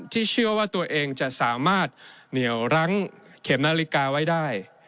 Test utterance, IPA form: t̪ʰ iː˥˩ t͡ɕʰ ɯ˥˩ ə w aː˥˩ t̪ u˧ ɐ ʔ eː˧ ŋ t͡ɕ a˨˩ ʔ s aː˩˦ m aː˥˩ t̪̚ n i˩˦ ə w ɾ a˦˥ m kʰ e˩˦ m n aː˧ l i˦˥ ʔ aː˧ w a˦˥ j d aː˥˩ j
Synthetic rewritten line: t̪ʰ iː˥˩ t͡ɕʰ ɯ˥˩ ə w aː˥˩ t̪ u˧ ɐ ʔ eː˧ ŋ t͡ɕ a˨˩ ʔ s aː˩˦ m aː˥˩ t̪̚ n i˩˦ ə w ɾ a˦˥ ŋ kʰ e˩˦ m n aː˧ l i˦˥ k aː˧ w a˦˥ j d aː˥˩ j